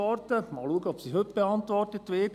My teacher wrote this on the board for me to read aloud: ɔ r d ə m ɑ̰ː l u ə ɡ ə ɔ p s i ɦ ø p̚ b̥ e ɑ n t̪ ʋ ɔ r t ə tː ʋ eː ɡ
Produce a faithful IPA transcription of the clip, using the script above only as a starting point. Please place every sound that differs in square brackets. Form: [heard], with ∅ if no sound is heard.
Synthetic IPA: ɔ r [t] ə m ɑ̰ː l u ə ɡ ə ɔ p s i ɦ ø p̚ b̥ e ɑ n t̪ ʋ ɔ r t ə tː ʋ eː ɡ